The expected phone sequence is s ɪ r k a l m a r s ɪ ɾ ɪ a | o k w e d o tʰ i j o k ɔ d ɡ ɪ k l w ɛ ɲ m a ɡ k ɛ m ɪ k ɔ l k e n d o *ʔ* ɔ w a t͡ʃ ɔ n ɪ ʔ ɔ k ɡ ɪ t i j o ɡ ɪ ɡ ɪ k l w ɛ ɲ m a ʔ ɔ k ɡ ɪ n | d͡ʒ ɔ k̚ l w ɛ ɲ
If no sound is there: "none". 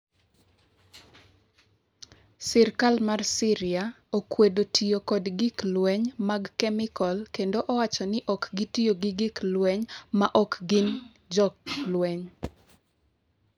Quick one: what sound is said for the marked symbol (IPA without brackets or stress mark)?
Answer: ʔ